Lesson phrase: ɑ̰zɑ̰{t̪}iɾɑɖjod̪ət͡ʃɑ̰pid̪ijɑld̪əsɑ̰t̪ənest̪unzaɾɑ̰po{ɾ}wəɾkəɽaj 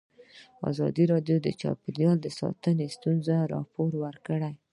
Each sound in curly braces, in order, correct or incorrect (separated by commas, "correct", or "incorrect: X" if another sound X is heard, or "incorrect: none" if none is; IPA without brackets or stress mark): incorrect: d̪, correct